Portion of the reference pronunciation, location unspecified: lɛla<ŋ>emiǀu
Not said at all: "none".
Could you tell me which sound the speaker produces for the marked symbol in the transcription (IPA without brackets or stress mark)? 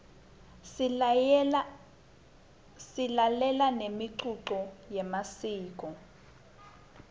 n